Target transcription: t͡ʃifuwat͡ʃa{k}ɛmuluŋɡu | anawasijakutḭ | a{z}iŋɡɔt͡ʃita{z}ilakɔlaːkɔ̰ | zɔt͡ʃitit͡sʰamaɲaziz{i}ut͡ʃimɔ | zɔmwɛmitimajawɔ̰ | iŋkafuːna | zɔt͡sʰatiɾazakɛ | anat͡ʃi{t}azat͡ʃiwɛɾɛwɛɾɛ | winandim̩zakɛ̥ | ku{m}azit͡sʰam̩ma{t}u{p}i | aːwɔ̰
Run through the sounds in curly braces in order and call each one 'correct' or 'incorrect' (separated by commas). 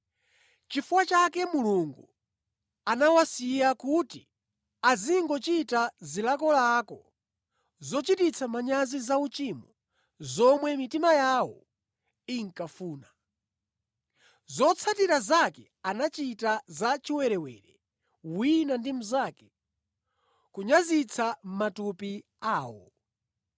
correct, correct, correct, incorrect, correct, incorrect, correct, correct